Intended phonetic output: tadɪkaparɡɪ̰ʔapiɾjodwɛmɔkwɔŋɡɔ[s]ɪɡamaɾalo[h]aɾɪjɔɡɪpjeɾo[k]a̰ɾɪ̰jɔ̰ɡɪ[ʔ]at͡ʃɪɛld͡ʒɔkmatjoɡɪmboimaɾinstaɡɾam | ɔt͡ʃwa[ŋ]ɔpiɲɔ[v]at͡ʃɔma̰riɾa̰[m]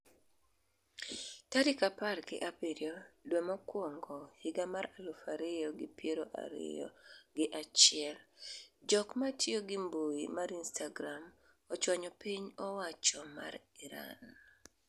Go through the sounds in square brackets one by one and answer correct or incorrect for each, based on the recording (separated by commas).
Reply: incorrect, incorrect, incorrect, correct, incorrect, incorrect, incorrect